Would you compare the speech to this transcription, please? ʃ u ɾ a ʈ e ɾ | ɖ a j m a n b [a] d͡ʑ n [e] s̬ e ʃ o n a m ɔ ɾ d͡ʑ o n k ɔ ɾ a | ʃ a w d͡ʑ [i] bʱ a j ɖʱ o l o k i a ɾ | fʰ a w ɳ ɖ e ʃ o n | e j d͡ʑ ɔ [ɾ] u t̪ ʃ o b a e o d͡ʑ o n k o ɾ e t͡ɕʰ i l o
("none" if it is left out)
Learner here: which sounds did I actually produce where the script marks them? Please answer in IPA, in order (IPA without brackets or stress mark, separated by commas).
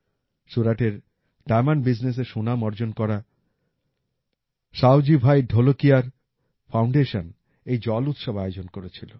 i, e, i, l